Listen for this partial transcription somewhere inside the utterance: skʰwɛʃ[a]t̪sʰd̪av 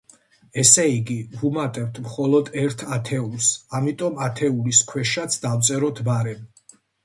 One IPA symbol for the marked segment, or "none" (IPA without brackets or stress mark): a